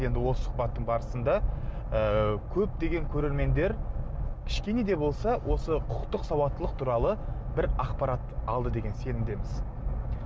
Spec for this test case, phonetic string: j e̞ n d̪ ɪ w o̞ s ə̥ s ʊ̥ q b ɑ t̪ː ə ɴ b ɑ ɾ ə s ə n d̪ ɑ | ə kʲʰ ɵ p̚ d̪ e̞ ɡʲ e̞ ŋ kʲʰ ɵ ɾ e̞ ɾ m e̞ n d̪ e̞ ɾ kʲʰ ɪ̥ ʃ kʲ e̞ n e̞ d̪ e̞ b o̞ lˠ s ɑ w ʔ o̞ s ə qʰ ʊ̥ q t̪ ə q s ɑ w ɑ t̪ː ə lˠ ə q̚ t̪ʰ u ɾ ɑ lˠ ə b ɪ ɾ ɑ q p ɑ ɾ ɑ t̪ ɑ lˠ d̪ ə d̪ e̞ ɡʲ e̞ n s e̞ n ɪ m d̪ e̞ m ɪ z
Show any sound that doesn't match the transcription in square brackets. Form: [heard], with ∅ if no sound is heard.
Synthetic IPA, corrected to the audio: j e̞ n d̪ ɪ w o̞ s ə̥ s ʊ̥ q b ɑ t̪ː ə ɴ b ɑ ɾ ə s ə n d̪ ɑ | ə kʲʰ ɵ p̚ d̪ e̞ ɡʲ e̞ ŋ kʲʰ ɵ ɾ e̞ ɾ m e̞ n d̪ e̞ ɾ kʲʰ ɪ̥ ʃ kʲ e̞ n e̞ d̪ e̞ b o̞ lˠ s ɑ w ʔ o̞ s ə qʰ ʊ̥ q t̪ ə q s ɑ w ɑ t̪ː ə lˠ ə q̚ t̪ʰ u ɾ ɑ lˠ ə b ɪ ɾ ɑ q p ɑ ɾ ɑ t̪ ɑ lˠ d̪ ə d̪ e̞ ɡʲ e̞ n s e̞ n ɪ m d̪ e̞ m ɪ z